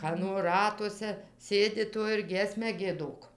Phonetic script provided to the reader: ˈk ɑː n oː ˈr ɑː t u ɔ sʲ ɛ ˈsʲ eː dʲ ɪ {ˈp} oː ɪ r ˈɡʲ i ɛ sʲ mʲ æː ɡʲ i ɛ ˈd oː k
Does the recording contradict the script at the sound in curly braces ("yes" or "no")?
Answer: yes